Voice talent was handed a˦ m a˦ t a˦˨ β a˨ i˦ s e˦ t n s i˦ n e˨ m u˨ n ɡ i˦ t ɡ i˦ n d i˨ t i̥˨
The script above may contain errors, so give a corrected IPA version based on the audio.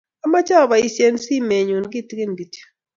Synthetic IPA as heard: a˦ m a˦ t͡ʃ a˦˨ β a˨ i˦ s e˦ n s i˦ m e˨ ɲ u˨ n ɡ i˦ t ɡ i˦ n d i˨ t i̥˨